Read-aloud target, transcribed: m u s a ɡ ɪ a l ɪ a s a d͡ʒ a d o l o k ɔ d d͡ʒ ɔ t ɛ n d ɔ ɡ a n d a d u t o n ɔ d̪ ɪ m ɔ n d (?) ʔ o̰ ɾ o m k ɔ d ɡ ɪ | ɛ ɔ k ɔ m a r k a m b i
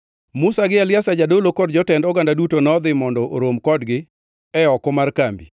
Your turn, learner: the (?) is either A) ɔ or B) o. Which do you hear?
A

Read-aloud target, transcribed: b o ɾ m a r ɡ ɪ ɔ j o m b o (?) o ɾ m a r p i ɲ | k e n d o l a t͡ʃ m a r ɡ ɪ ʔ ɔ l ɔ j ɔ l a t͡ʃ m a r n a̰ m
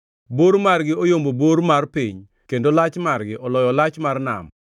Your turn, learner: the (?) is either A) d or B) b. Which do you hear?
B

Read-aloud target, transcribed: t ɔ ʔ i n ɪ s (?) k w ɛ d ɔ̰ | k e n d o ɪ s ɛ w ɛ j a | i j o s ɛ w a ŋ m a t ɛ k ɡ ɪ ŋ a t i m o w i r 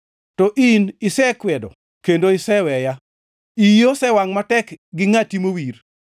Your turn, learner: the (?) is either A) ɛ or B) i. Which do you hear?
A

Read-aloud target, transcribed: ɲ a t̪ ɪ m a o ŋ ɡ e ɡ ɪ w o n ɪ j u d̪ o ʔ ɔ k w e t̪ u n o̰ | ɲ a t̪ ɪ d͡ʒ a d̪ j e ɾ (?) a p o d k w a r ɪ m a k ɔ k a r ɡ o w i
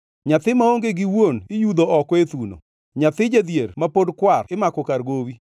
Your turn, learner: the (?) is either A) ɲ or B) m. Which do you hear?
B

